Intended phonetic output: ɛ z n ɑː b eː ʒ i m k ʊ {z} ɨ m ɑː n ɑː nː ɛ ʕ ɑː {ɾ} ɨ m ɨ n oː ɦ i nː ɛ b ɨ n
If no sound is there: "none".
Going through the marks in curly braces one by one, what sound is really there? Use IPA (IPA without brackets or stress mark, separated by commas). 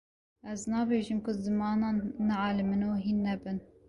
z, l